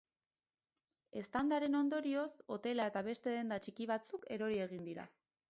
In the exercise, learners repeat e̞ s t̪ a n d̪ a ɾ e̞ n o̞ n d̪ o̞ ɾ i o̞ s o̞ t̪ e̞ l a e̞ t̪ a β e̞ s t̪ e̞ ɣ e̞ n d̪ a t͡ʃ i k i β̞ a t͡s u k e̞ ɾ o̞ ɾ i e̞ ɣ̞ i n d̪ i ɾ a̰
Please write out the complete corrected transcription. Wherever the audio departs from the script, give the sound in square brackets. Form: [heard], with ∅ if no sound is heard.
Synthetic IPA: e̞ s t̪ a n d̪ a ɾ e̞ n o̞ n d̪ o̞ ɾ i o̞ s o̞ t̪ e̞ l a e̞ t̪ a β e̞ s t̪ e̞ [ð] e̞ n d̪ a t͡ʃ i k i β̞ a t͡s u k e̞ ɾ o̞ ɾ i e̞ ɣ̞ i n d̪ i ɾ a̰